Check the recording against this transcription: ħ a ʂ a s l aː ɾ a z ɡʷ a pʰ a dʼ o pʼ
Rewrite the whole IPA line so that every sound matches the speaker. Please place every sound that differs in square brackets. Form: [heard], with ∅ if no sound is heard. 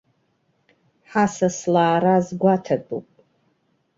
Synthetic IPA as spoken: ħ a [s] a s l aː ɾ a z ɡʷ a [tʰ] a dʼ [u] pʼ